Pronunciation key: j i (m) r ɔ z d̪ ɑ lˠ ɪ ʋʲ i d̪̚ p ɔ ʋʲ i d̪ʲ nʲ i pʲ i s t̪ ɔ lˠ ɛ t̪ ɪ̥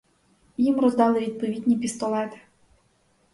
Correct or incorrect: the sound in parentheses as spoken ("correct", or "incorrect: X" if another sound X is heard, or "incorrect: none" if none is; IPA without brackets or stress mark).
correct